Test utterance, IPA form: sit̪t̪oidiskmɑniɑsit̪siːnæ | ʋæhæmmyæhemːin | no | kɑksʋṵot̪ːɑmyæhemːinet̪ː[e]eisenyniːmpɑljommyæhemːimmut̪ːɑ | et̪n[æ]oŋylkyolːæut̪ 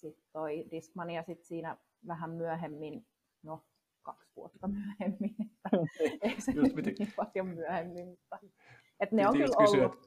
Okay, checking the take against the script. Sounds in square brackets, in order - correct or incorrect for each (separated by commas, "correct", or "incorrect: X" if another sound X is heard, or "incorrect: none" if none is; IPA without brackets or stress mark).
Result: incorrect: æ, incorrect: e